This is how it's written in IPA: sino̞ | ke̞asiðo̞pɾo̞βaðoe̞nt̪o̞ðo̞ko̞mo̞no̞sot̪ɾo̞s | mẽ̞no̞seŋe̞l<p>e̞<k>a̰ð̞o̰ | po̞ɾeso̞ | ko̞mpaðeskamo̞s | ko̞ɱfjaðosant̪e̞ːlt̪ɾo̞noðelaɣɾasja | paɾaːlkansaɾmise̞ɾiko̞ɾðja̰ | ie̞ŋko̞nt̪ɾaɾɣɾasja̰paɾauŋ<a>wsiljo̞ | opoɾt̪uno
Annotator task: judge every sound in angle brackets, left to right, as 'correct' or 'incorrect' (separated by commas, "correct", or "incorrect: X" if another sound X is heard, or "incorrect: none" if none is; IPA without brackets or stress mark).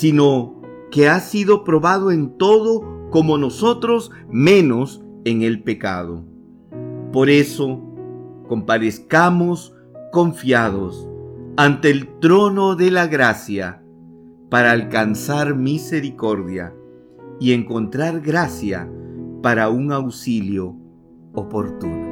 correct, correct, correct